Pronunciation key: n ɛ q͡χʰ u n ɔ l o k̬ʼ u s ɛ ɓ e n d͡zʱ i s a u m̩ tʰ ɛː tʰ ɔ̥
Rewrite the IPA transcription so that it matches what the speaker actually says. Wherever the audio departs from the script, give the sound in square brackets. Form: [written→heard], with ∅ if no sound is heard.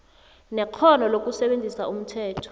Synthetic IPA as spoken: n ɛ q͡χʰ [u→ɔ] n ɔ l o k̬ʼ u s ɛ ɓ e n d͡zʱ i s a u m̩ tʰ ɛː tʰ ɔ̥